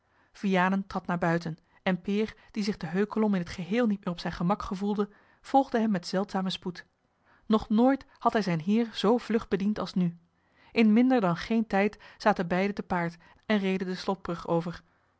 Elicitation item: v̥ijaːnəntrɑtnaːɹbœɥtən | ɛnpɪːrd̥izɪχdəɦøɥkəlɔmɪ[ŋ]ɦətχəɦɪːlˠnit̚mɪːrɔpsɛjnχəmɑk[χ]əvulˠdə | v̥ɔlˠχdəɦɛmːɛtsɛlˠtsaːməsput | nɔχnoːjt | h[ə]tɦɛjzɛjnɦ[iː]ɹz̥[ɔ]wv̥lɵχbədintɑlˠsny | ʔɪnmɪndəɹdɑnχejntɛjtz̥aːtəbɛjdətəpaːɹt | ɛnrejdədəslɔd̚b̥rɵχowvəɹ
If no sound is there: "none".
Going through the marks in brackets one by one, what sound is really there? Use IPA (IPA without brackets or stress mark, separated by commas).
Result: n, χ, ɑ, ɪː, o